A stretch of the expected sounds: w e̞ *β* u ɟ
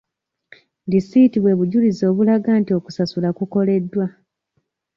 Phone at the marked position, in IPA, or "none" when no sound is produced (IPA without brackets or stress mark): β